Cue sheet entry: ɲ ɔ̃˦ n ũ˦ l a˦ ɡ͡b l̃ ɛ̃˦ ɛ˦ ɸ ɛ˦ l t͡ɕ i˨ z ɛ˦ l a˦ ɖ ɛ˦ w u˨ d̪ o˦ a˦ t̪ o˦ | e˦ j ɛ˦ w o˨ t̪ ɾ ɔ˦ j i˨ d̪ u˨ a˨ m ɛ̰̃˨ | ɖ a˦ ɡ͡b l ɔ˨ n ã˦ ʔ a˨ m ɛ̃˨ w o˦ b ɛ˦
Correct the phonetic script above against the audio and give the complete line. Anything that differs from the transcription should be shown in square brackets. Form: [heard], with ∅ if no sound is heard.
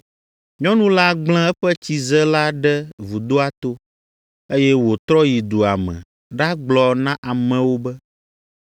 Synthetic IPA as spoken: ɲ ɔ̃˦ n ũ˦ l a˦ ɡ͡b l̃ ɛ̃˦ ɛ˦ ɸ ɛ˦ [∅] t͡ɕ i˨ z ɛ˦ l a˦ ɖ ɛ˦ [v] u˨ d̪ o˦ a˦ t̪ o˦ | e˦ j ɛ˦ w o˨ t̪ ɾ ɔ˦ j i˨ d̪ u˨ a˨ m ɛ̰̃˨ | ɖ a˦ ɡ͡b l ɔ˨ n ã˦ ʔ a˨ m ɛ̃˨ w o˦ b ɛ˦